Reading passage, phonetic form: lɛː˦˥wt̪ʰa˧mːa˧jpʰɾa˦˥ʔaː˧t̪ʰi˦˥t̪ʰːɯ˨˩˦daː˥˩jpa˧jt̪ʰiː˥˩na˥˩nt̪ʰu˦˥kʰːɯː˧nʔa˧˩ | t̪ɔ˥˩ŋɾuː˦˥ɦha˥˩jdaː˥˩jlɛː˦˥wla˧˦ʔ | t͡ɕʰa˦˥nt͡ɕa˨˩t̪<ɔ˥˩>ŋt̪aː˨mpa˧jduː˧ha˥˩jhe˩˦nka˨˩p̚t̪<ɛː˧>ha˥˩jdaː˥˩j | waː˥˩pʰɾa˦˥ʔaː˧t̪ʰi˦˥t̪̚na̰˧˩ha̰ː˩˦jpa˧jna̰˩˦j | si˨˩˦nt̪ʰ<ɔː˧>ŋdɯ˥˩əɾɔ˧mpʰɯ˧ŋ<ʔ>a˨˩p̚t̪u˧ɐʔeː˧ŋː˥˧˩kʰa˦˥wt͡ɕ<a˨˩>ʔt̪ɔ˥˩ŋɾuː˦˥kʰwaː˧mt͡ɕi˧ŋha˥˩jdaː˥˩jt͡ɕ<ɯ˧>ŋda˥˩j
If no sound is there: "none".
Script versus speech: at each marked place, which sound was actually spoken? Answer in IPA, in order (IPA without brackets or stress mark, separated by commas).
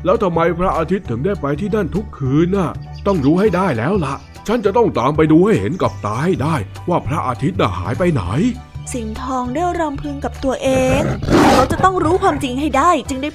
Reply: ɔ˥˩, aː˧, ɔː˧, k, a˨˩, ɯ˧